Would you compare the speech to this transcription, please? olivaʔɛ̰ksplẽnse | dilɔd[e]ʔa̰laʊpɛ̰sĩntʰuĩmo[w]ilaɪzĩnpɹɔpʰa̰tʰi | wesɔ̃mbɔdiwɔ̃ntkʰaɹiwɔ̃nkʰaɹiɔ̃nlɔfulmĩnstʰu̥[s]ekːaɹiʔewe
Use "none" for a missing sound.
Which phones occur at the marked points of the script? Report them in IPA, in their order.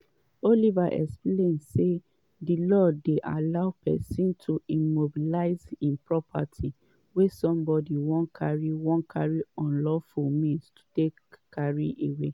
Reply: e, b, t

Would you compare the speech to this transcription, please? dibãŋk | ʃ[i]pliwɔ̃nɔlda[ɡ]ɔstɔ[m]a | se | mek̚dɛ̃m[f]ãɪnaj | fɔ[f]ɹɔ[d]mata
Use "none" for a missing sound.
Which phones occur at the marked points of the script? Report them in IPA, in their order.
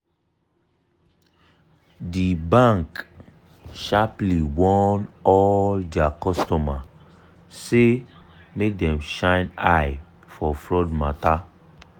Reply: a, k, m, ʃ, f, d

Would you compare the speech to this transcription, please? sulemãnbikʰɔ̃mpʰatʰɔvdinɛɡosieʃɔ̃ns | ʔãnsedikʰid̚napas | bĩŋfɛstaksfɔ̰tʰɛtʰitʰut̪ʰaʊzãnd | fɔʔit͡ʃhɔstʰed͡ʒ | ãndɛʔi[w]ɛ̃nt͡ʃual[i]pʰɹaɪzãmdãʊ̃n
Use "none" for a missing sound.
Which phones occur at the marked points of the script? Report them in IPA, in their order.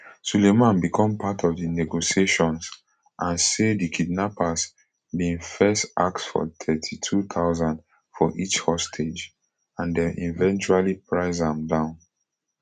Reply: v, i

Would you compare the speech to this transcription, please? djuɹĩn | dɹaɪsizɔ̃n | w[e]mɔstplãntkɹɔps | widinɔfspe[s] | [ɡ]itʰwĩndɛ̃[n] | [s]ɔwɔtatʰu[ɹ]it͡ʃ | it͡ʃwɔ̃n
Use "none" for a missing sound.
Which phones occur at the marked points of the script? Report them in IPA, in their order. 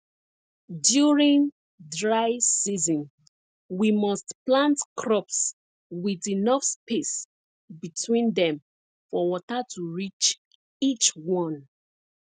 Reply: i, s, b, m, f, ɹ

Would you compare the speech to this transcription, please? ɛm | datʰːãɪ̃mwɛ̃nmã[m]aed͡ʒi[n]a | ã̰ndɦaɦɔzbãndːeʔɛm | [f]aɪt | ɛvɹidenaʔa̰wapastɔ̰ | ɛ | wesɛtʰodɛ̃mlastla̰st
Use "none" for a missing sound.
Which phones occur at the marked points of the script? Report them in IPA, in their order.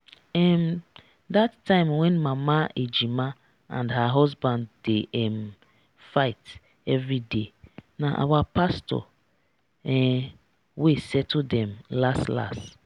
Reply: m, m, f

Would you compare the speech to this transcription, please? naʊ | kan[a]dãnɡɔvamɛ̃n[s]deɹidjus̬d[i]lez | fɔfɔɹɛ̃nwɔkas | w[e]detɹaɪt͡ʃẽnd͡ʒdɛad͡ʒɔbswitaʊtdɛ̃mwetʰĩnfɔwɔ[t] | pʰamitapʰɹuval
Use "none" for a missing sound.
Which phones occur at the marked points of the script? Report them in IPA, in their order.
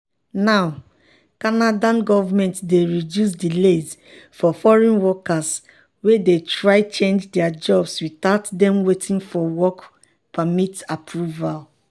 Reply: a, t, i, e, k

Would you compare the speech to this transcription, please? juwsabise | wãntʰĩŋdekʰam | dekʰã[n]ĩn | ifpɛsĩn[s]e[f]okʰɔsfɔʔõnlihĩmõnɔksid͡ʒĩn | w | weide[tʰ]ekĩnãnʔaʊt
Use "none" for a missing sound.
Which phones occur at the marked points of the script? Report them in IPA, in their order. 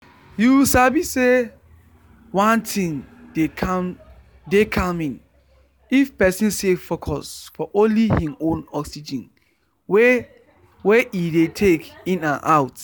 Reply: m, s, f, tʰ

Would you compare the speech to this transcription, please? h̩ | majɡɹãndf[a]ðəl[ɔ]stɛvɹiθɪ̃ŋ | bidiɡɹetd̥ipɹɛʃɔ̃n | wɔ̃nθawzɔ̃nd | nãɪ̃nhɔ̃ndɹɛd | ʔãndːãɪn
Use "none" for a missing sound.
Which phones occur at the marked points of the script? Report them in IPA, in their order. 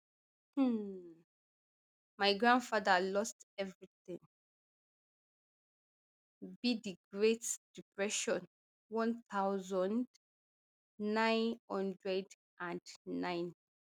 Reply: a, ɔ

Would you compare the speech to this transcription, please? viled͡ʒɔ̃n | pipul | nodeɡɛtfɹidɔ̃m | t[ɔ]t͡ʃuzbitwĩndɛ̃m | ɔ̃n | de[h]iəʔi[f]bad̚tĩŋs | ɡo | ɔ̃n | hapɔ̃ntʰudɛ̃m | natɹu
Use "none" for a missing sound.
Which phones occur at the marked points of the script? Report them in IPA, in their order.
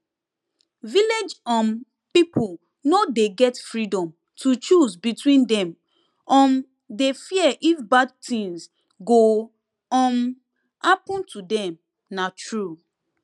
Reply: u, f, f

